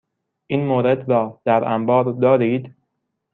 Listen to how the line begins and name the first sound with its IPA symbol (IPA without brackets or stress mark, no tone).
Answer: ʔ